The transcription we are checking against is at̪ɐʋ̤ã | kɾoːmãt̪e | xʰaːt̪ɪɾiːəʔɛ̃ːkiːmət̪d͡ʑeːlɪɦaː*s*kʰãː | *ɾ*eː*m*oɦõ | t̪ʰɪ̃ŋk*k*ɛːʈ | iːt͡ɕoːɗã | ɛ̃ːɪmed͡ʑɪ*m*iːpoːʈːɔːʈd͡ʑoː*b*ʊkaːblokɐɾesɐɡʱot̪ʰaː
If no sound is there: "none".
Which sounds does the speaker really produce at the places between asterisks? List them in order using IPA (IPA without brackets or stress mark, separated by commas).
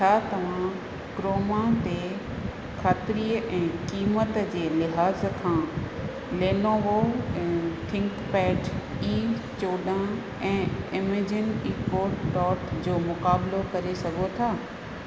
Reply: z, l, n, p, n, m